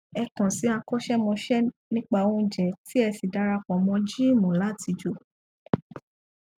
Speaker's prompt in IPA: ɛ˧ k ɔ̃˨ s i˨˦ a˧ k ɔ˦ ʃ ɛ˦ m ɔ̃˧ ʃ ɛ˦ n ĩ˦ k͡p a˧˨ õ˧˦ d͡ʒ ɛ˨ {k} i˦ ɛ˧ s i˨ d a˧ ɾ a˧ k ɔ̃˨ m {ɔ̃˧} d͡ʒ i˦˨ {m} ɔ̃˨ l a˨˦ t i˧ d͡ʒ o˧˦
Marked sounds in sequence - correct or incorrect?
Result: incorrect, correct, correct

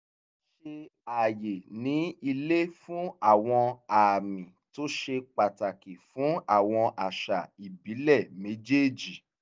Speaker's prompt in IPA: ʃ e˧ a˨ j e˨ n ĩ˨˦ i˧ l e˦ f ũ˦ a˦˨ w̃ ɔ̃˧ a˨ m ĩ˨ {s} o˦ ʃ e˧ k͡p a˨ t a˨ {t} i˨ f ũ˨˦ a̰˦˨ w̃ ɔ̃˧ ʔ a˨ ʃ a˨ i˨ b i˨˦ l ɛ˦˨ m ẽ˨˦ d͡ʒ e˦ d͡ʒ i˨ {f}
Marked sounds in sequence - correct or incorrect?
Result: incorrect, incorrect, incorrect

